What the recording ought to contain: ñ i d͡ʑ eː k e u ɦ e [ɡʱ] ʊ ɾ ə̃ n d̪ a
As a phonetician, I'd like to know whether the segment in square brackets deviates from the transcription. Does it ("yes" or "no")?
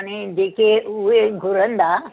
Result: no